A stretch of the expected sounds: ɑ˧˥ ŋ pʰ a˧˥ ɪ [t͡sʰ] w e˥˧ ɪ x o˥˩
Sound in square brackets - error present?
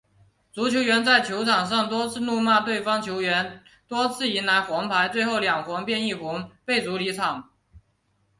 yes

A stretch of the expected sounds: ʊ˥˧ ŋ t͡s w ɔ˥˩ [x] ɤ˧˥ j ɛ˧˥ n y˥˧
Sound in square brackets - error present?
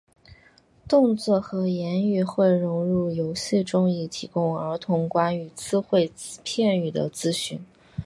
no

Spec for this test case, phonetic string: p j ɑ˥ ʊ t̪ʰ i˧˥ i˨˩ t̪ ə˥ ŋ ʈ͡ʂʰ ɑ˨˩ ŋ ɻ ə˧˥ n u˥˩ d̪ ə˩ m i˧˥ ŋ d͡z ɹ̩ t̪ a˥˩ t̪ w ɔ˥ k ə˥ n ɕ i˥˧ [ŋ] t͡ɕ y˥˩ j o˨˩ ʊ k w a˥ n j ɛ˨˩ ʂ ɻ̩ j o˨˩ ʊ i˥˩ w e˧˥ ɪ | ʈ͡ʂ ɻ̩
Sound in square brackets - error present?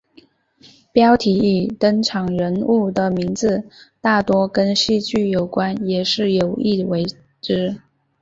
yes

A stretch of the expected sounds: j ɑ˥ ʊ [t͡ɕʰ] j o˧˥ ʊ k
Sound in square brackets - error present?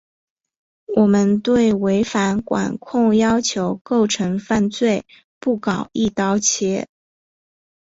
no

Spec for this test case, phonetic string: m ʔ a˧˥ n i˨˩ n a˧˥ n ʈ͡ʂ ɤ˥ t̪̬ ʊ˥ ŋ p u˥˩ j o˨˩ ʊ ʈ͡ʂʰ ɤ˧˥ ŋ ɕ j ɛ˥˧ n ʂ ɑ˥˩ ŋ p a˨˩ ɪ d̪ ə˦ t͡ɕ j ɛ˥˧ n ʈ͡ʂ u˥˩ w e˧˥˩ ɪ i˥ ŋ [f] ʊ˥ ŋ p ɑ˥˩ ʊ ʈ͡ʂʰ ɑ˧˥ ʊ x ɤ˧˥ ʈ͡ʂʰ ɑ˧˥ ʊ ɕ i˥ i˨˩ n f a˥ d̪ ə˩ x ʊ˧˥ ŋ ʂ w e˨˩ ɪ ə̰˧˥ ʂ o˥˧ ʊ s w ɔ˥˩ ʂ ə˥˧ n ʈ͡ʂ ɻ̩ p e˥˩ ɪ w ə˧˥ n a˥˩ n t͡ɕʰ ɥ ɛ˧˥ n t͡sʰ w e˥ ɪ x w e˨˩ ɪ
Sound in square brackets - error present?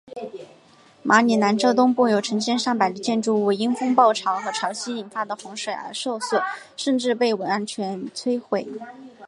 no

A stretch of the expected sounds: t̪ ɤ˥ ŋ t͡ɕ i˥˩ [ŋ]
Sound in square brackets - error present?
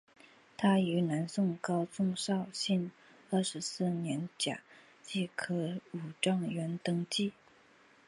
yes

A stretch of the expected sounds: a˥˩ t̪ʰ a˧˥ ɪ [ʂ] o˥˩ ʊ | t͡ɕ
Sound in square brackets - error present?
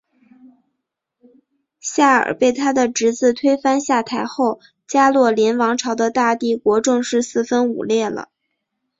yes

